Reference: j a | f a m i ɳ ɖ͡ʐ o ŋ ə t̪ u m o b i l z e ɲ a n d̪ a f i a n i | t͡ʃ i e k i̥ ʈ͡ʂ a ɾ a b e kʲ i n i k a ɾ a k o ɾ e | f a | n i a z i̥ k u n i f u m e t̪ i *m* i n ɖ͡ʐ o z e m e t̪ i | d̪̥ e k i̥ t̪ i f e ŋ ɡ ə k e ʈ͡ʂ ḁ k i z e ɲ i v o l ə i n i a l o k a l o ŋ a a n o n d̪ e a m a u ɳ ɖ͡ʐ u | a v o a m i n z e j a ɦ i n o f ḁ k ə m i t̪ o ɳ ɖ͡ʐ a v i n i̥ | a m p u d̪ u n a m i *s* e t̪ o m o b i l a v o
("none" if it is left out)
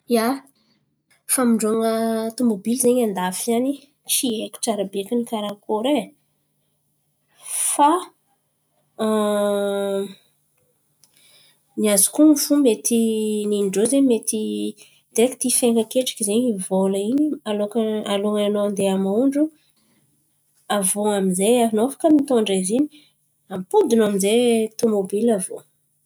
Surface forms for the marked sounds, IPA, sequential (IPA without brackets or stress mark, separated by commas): n, z